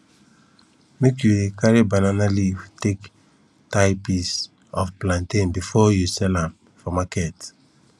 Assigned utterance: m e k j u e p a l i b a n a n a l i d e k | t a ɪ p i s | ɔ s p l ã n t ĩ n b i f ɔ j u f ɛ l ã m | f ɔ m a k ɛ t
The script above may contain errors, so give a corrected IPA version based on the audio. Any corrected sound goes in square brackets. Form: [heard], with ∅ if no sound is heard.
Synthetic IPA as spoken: m e k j u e [k] a [ɹ] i b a n a n a l i [t] e k | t a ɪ p i s | ɔ [f] p l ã n t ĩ n b i f ɔ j u [s] ɛ l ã m | f ɔ m a k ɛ t